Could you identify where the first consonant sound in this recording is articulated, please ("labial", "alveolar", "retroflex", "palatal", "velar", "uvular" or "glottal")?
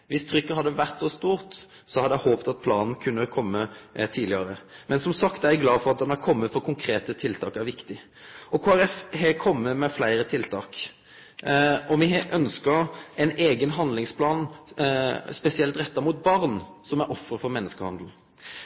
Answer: labial